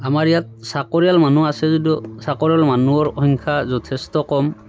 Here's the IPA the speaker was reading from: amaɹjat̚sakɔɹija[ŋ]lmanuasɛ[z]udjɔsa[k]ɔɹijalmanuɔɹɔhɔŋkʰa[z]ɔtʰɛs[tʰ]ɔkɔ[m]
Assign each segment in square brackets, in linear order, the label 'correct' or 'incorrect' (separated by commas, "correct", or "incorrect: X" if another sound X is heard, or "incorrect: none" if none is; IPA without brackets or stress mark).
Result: incorrect: none, correct, correct, correct, incorrect: t, correct